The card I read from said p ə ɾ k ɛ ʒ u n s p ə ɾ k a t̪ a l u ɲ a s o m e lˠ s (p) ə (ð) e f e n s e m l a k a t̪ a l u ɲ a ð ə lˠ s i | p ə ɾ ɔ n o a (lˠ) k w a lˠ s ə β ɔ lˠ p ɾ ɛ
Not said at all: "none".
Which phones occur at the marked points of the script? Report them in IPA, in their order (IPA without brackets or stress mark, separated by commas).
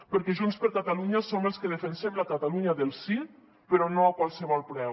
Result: k, ð, none